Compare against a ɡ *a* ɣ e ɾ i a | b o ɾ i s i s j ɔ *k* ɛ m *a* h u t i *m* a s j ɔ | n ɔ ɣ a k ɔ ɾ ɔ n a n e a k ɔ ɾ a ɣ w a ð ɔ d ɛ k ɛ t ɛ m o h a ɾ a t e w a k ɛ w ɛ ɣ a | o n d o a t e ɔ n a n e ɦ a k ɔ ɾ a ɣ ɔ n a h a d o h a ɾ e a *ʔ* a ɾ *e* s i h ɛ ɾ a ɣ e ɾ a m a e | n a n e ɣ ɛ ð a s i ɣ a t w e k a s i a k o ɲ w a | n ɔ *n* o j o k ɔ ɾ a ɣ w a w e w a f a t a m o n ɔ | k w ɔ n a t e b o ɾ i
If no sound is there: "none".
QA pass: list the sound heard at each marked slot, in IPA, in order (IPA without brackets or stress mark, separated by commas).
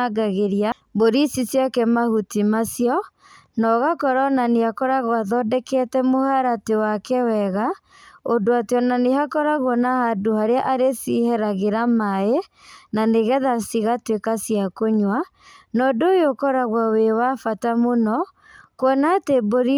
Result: a, k, a, m, ʔ, e, d